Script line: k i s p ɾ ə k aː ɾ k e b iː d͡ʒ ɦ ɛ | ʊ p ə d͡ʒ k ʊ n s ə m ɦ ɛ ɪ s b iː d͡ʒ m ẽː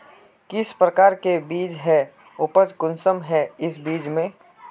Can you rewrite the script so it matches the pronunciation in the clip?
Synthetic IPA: k ɪ s p ɾ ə k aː ɾ k e b iː d͡ʒ ɦ ɛ | ʊ p ə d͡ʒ k ʊ n s ə m ɦ ɛ ɪ s b iː d͡ʒ m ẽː